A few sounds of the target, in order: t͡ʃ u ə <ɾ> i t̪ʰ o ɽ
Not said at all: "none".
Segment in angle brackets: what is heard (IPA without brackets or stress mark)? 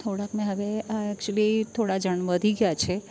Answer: l